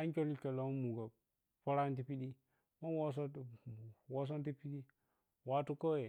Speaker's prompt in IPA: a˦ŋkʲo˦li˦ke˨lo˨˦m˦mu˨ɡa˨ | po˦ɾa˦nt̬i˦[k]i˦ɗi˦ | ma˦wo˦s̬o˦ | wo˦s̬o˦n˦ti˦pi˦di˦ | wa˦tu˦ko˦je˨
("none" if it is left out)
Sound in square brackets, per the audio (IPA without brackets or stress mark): p